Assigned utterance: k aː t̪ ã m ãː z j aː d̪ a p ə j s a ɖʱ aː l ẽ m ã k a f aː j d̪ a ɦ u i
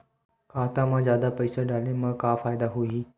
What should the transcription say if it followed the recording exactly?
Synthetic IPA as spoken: k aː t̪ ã m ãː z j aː d̪ a p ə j s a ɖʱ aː l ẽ m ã k a f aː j d̪ a ɦ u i